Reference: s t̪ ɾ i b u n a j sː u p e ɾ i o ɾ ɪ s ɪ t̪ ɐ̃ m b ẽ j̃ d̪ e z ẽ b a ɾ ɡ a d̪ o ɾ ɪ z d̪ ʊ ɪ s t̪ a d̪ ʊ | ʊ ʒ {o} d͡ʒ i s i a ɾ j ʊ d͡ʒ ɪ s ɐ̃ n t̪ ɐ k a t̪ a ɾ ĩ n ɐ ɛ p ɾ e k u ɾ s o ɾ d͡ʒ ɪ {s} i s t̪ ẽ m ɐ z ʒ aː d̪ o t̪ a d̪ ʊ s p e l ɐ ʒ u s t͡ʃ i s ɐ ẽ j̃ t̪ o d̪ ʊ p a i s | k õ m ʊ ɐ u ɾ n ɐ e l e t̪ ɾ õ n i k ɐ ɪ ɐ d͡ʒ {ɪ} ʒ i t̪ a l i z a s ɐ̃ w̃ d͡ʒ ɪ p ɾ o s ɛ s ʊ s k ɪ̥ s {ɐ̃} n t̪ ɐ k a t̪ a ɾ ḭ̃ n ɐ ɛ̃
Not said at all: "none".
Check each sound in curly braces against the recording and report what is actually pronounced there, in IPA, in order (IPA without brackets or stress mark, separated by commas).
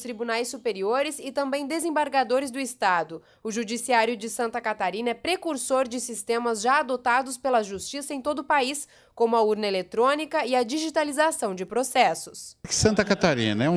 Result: u, s, i, ɐ̃